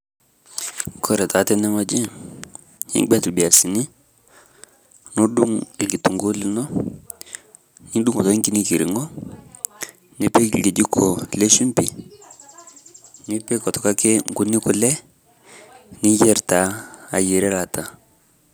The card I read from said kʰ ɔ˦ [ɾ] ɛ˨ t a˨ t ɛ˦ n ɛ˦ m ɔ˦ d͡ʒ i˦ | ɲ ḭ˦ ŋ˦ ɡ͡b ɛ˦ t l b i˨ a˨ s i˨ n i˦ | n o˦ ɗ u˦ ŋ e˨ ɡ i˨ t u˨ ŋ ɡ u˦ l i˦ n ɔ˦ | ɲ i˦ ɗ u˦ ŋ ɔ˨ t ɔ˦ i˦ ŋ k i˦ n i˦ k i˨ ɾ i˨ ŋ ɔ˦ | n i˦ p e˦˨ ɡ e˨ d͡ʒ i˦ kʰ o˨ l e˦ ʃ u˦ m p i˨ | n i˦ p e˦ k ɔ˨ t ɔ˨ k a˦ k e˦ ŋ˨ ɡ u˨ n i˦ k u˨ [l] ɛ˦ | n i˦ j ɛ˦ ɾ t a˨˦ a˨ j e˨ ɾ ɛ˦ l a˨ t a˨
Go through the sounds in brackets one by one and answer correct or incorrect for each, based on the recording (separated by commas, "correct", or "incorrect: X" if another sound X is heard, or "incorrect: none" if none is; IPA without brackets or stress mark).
correct, correct